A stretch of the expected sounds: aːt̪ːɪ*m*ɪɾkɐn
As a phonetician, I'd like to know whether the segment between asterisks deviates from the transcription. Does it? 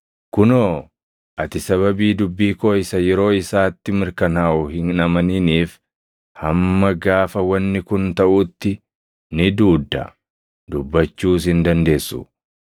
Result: no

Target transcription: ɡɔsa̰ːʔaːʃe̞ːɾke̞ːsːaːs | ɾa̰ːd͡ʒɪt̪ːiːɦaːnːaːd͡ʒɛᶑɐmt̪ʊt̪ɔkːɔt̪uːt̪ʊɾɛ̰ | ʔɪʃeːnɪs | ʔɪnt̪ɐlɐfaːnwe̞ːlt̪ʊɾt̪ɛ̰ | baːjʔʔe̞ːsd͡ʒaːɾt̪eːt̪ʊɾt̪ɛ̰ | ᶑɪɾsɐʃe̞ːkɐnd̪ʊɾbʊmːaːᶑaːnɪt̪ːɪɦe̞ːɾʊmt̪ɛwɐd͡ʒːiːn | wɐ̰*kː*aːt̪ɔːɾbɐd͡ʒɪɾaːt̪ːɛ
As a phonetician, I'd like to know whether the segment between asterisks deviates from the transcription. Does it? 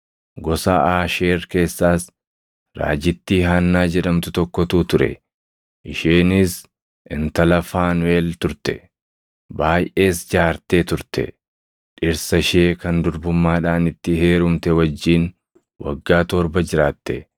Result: yes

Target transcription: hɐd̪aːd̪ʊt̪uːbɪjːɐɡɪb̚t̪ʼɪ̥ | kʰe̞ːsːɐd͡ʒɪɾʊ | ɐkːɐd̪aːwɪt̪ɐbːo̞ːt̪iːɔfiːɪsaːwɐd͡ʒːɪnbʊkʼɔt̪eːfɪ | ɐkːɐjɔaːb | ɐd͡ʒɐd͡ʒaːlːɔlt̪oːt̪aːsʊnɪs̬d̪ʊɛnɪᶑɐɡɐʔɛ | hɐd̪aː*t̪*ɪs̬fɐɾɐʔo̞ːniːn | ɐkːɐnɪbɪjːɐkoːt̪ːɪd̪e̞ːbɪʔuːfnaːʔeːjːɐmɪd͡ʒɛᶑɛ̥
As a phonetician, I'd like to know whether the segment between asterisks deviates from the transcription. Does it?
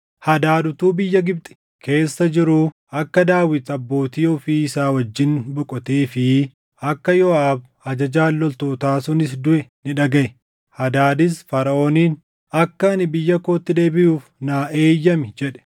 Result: yes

